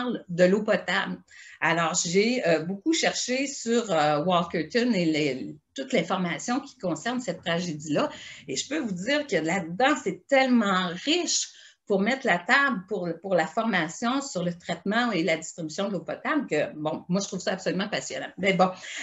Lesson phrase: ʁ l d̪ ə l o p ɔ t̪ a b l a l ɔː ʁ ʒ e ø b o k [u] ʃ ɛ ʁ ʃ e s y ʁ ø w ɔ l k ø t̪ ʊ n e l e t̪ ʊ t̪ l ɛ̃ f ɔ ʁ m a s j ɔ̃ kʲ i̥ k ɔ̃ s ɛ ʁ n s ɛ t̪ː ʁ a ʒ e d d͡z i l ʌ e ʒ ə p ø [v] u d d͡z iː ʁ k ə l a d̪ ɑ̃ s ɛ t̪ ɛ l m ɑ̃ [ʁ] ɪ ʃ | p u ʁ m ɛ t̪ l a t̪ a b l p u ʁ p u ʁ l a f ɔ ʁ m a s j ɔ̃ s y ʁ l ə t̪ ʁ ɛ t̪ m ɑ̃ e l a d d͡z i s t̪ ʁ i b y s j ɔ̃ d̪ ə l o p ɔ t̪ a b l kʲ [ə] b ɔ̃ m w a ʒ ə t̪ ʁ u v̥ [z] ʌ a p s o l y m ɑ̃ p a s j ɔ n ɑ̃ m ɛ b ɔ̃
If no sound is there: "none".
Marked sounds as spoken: u, v, ʁ, ə, s

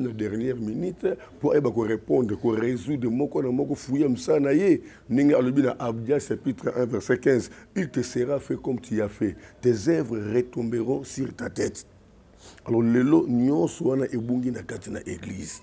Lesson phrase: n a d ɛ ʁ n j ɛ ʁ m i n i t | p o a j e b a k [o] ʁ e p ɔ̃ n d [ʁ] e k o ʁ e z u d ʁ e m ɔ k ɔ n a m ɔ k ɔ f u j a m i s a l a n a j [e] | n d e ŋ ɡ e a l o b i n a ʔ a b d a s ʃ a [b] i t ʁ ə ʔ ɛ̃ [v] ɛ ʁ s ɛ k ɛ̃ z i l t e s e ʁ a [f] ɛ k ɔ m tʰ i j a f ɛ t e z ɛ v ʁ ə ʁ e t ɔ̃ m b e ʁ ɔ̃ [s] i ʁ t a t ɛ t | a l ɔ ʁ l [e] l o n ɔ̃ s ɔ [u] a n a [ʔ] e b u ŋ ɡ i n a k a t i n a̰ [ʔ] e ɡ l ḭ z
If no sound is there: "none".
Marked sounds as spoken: o, ʁ, e, p, v, f, s, e, w, ʔ, ʔ

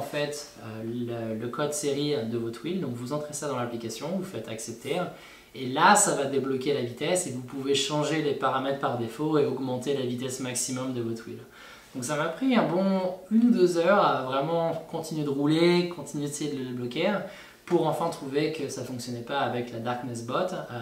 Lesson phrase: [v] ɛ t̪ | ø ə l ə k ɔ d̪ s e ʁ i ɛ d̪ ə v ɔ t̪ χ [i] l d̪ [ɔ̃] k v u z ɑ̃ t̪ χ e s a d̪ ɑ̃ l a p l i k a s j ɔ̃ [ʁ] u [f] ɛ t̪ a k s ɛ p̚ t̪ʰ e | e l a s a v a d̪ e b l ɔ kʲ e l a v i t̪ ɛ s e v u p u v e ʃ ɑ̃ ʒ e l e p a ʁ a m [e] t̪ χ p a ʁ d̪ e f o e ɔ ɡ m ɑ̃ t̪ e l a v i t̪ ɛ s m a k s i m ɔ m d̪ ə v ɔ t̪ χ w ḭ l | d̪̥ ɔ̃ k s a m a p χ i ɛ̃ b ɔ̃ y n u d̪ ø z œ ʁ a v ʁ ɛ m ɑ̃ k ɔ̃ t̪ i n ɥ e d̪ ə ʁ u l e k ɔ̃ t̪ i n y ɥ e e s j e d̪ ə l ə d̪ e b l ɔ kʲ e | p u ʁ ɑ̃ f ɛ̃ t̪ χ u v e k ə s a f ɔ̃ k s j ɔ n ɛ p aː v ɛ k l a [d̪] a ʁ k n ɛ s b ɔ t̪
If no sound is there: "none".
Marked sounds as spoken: f, i, ɔ̃, v, f, ɛ, d̪

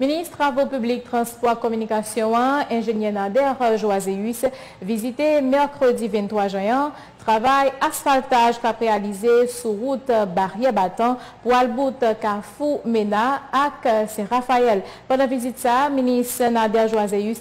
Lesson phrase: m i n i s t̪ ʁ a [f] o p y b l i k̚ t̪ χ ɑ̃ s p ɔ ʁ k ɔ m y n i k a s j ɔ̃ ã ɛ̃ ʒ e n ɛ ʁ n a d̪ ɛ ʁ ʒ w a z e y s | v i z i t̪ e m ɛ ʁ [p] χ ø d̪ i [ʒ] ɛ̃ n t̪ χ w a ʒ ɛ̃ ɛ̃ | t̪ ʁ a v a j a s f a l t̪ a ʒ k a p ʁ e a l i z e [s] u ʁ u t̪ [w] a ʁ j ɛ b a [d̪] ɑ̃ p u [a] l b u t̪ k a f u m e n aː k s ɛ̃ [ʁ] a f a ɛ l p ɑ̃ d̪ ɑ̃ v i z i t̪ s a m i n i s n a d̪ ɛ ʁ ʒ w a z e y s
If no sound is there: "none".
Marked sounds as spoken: v, k, v, s, b, t̪, a, ʁ

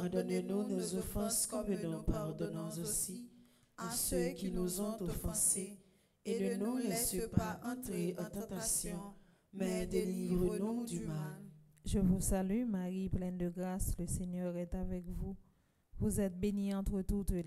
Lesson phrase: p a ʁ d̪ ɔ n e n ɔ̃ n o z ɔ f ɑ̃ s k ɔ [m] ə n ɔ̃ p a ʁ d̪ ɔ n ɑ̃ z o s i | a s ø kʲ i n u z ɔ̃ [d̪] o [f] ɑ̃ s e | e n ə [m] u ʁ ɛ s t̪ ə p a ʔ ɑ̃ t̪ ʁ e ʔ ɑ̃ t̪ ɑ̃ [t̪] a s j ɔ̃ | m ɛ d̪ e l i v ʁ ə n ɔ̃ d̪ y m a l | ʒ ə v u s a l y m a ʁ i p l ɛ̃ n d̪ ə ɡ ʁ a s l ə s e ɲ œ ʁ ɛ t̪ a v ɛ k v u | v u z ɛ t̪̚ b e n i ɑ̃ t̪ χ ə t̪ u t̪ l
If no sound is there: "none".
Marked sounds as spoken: m, t̪, f, n, t̪

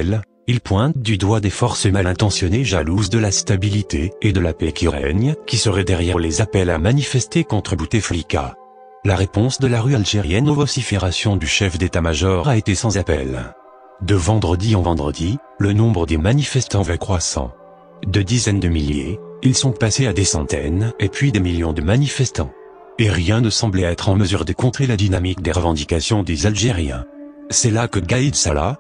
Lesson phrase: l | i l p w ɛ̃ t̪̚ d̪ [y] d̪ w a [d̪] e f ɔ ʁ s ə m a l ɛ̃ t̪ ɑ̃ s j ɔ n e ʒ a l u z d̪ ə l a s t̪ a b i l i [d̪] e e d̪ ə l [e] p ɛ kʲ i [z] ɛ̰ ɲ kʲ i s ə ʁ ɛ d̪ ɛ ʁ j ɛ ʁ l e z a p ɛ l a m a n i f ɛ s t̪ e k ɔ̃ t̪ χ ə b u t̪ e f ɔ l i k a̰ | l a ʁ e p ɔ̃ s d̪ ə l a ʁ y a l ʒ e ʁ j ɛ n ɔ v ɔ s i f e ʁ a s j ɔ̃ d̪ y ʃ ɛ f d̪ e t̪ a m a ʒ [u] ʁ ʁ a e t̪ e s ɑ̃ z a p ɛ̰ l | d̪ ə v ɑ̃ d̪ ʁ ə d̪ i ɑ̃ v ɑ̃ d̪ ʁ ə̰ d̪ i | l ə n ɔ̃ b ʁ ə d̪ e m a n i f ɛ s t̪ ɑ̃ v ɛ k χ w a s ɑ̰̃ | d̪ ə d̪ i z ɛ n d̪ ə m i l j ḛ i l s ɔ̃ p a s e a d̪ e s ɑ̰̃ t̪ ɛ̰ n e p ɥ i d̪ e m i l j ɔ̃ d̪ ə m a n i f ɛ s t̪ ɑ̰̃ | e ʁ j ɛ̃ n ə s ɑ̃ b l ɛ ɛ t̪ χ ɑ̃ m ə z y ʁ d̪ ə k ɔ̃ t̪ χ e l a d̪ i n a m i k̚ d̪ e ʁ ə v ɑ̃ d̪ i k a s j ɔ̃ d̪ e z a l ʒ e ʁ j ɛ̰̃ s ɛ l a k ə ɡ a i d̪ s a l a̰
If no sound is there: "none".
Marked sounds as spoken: y, d̪, t̪, a, ʁ, ɔ

